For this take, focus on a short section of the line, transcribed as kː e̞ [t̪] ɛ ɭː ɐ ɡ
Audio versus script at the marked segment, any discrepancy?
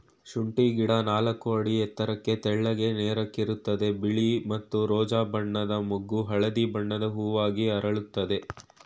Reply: no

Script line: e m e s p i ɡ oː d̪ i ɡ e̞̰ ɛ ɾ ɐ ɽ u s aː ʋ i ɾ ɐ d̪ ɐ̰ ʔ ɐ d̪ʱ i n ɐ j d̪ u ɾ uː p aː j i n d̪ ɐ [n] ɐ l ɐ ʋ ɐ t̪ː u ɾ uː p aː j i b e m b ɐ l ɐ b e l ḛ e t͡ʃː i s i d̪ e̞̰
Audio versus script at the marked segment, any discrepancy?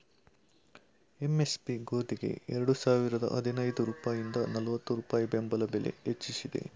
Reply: no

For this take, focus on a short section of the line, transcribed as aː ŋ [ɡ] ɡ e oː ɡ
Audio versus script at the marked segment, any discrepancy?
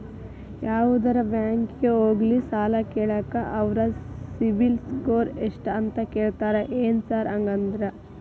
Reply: yes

